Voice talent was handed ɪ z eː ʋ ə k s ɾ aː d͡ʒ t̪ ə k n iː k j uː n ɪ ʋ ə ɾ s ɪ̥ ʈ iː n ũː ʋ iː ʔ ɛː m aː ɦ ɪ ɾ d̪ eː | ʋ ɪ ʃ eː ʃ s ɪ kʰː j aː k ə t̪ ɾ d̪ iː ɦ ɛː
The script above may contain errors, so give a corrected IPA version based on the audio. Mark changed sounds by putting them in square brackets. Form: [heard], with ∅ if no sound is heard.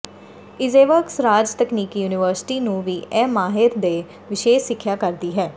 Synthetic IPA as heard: ɪ z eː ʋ ə k s ɾ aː d͡ʒ t̪ ə k n iː k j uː n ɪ ʋ ə ɾ s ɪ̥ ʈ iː n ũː ʋ iː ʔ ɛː m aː ɦ ɪ ɾ d̪ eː | ʋ ɪ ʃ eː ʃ s ɪ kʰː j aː k ə [∅] ɾ d̪ iː ɦ ɛː